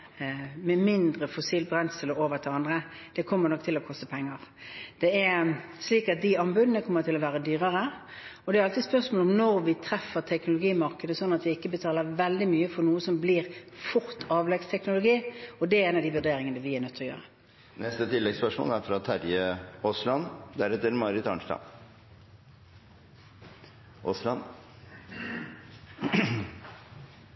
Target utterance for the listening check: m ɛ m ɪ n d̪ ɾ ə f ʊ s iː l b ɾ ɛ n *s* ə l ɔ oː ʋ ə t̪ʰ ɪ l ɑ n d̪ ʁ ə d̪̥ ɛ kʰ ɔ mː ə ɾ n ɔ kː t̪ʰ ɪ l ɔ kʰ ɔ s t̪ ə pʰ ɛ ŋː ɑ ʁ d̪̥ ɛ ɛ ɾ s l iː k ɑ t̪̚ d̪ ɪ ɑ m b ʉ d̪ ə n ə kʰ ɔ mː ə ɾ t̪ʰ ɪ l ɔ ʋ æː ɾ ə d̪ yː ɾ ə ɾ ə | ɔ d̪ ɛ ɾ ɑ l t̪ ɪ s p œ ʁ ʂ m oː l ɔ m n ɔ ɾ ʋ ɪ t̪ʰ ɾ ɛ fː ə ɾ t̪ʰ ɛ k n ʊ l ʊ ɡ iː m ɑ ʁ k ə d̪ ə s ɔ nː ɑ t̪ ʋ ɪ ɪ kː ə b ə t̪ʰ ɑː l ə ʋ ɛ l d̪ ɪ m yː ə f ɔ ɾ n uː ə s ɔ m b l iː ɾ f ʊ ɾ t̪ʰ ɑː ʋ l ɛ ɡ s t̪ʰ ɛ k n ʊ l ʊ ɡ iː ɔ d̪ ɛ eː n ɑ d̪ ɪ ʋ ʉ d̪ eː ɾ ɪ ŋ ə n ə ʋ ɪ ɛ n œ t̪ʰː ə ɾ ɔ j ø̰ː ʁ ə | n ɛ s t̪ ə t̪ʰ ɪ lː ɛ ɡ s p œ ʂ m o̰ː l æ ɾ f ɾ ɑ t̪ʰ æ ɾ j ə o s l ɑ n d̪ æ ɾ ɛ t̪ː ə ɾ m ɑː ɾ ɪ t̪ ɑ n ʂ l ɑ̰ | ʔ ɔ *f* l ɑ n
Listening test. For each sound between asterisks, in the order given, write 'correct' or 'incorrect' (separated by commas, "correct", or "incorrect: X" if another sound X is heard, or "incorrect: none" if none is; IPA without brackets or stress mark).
correct, incorrect: s